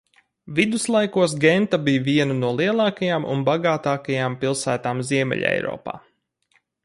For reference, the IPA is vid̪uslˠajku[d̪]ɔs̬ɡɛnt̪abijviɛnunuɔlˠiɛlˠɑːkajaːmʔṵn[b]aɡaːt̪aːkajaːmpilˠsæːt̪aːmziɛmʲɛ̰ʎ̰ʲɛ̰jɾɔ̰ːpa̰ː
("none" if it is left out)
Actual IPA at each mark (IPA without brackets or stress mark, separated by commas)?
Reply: none, b